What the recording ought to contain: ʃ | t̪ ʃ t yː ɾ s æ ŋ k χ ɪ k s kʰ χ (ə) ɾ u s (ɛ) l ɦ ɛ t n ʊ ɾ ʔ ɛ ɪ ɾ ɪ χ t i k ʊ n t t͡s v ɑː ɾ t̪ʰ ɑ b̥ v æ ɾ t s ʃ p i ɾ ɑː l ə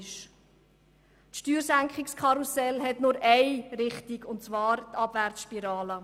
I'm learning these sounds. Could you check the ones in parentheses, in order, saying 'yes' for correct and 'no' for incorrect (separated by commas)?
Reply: no, yes